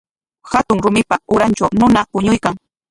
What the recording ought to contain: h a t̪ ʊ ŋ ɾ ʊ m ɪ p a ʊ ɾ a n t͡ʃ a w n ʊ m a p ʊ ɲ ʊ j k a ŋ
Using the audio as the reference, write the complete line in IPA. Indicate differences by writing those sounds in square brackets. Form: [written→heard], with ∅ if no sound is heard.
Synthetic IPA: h a t̪ ʊ ŋ ɾ ʊ m ɪ p a ʊ ɾ a n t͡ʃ a w n ʊ [m→n] a p ʊ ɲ ʊ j k a ŋ